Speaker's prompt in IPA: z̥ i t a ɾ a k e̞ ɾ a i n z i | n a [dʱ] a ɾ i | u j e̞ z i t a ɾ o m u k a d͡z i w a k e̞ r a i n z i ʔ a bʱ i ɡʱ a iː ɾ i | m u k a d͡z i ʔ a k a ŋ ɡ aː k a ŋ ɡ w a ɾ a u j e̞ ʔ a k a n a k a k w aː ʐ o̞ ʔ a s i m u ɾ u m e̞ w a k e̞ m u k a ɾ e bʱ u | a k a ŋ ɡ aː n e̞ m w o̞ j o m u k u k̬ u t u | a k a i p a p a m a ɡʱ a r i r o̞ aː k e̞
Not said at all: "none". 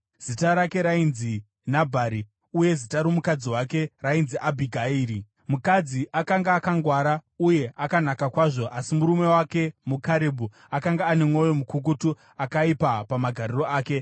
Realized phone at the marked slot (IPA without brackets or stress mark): bʱ